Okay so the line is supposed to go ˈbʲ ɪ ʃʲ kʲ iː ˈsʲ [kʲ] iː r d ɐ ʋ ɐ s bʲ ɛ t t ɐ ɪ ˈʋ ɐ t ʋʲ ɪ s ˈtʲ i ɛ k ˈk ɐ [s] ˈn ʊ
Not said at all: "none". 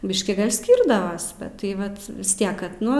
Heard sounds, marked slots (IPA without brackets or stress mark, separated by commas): kʲ, t